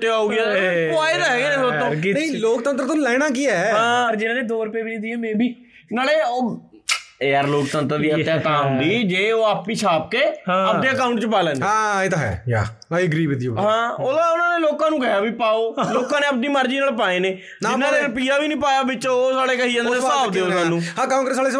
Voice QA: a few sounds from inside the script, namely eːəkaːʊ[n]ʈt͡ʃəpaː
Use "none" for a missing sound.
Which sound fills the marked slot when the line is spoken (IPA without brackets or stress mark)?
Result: ɳ